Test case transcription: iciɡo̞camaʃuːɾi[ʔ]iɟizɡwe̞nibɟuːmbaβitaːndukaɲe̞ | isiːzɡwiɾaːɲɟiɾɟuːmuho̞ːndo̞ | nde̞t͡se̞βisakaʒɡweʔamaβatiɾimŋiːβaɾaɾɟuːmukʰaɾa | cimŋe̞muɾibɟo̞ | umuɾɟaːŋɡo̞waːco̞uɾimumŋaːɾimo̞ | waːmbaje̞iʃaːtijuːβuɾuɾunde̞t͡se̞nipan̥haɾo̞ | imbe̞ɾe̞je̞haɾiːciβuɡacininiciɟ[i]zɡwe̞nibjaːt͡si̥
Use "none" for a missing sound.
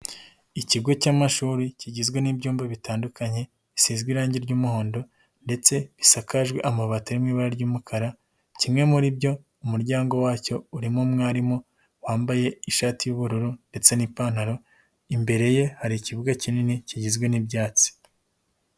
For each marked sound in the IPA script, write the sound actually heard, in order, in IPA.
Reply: c, i

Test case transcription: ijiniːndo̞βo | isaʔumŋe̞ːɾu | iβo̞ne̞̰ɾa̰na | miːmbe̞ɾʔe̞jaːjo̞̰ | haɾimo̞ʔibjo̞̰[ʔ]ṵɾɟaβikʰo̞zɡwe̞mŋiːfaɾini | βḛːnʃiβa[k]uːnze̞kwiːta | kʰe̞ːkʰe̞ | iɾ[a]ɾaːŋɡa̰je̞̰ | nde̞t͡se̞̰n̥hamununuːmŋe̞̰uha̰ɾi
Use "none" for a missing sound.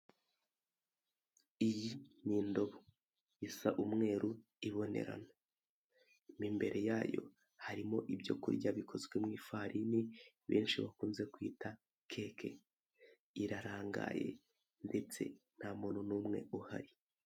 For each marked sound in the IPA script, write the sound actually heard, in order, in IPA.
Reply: k, k, a

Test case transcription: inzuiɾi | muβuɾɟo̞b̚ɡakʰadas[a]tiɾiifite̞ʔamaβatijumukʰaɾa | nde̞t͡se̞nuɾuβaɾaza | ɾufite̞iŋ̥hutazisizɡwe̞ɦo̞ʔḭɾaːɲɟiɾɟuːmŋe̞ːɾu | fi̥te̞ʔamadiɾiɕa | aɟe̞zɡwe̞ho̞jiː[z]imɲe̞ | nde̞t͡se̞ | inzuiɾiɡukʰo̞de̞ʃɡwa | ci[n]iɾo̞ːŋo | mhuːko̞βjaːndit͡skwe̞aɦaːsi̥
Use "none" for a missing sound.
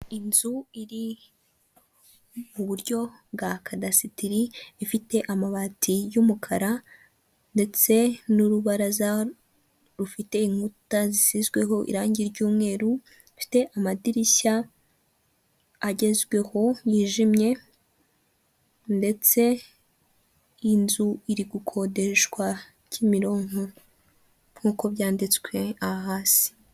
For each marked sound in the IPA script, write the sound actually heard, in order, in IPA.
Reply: i, ʒ, m

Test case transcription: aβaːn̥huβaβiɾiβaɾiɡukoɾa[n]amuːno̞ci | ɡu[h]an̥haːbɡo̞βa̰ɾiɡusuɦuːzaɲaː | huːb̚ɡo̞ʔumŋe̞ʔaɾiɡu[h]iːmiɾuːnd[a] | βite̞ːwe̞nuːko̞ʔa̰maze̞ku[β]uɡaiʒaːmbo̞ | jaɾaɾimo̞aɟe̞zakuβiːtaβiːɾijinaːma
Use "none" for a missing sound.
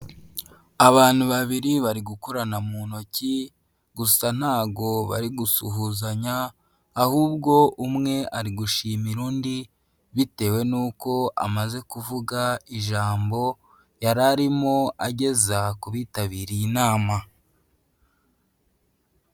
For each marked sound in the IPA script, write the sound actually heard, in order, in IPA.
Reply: n, s, ʃ, i, v

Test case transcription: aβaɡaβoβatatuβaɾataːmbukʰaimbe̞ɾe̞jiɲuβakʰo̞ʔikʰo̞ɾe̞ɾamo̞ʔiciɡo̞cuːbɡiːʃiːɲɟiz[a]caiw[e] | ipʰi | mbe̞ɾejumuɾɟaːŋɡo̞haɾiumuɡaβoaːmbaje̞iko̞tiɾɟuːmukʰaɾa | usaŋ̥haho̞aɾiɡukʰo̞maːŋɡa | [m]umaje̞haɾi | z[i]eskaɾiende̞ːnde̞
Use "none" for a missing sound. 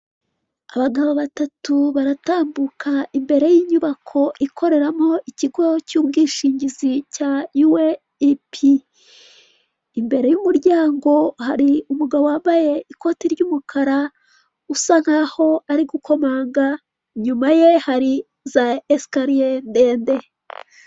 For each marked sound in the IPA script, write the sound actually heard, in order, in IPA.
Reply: i, e, ɲ, a

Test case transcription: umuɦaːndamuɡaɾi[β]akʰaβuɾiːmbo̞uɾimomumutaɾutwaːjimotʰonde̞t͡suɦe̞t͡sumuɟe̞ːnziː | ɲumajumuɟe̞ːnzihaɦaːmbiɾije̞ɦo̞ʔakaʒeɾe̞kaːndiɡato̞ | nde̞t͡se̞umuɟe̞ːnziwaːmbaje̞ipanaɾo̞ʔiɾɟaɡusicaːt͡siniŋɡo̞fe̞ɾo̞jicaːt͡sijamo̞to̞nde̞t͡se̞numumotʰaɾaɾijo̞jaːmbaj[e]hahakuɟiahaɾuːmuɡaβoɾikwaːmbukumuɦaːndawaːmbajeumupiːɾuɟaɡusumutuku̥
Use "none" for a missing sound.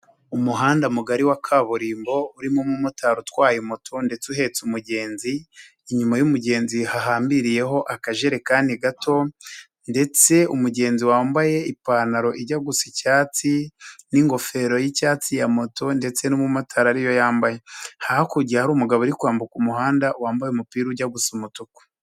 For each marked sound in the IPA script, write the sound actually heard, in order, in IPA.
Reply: w, e

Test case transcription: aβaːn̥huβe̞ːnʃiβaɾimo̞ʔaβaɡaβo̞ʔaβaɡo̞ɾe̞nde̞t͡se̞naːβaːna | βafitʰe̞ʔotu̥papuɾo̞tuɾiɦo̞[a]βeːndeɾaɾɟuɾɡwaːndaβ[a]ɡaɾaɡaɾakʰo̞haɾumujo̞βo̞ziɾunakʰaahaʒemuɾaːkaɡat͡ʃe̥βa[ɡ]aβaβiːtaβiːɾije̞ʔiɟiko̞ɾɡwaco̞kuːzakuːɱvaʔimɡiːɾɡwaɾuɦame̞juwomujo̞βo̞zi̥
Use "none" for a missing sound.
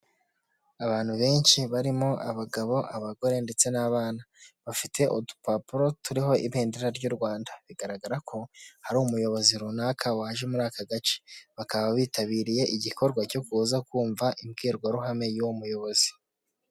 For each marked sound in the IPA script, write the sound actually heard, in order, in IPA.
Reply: i, i, k

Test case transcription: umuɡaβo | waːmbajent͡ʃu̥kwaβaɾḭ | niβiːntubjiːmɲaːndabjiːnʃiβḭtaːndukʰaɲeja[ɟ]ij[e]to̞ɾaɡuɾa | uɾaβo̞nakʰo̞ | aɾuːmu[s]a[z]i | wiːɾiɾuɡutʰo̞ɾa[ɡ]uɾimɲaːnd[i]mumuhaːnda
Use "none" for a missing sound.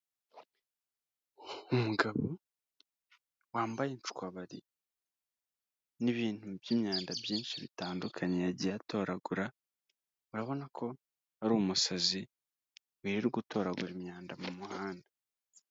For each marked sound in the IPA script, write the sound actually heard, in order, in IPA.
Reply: ɟ, a, s, z, ɡ, a

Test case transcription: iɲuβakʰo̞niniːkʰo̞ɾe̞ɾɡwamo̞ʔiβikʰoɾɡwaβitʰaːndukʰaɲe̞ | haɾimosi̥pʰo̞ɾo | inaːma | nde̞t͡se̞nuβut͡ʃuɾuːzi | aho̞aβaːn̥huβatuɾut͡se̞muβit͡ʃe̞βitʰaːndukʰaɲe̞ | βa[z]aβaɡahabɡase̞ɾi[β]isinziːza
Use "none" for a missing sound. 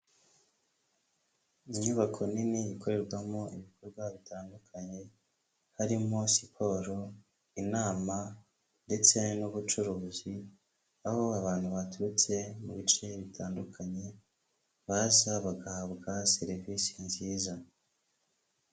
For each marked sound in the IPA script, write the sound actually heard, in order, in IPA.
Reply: z, v

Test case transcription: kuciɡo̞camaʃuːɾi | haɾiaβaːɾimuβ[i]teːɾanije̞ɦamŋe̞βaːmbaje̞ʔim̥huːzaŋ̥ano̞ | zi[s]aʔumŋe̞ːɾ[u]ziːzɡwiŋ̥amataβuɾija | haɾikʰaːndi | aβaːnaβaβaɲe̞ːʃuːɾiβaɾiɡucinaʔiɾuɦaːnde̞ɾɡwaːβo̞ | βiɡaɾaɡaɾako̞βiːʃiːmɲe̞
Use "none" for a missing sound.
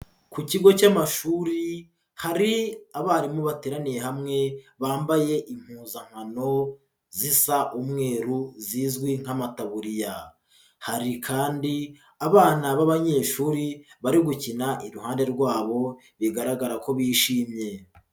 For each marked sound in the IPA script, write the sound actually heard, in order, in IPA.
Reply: a, s, u

